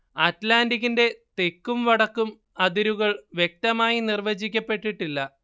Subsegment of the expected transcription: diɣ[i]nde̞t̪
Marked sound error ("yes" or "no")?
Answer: no